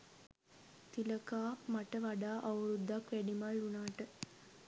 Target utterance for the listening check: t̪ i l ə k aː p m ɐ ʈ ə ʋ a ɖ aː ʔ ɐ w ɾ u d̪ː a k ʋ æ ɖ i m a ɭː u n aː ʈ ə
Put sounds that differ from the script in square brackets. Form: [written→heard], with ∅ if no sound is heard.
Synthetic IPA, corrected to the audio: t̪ i l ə k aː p m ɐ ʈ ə ʋ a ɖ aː ʔ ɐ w ɾ u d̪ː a k ʋ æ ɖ i m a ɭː u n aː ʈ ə